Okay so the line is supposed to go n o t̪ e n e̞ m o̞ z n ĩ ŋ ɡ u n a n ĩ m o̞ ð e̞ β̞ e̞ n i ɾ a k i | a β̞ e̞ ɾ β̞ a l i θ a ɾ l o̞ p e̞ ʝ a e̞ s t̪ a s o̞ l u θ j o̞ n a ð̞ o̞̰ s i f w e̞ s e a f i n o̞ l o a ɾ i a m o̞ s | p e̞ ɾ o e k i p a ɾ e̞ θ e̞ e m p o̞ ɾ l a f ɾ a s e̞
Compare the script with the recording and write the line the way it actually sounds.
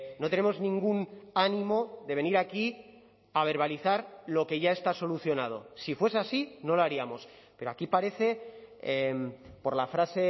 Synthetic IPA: n o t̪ e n e̞ m o̞ z n ĩ ŋ ɡ u n a n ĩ m o̞ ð e̞ β̞ e̞ n i ɾ a k i | a β̞ e̞ ɾ β̞ a l i θ a ɾ l o̞ k e̞ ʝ a e̞ s t̪ a s o̞ l u θ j o̞ n a ð̞ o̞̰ s i f w e̞ s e a s i n o̞ l o a ɾ i a m o̞ s | p e̞ ɾ o a k i p a ɾ e̞ θ e̞ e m p o̞ ɾ l a f ɾ a s e̞